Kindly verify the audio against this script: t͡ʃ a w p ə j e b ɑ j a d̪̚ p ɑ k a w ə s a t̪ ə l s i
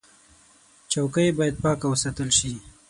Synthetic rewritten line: t͡ʃ a w k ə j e b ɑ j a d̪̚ p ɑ k a w ə s a t̪ ə l ʃ i